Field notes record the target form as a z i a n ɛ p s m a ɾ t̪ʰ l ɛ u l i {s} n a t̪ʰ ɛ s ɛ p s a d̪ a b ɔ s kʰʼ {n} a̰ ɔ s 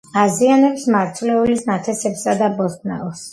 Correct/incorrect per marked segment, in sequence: correct, correct

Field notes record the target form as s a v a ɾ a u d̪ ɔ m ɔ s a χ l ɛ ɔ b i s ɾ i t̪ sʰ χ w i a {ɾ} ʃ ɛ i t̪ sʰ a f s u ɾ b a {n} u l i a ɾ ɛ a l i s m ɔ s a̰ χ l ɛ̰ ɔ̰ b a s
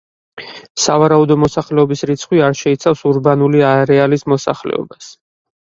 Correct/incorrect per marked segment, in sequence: correct, correct

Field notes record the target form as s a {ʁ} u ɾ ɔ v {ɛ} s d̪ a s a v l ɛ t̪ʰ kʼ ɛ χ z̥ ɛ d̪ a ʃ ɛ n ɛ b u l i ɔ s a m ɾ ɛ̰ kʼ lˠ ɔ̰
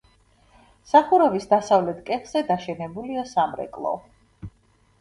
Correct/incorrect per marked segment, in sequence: incorrect: χ, incorrect: i

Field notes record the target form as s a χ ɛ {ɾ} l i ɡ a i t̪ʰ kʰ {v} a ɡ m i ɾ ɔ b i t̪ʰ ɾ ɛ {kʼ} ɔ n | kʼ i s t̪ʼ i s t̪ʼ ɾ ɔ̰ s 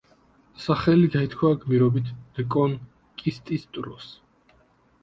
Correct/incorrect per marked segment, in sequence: incorrect: none, incorrect: w, correct

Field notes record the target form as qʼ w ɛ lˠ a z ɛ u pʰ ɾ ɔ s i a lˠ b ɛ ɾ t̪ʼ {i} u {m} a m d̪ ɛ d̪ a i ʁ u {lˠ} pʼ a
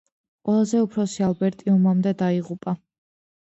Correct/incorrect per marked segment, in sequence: correct, correct, incorrect: none

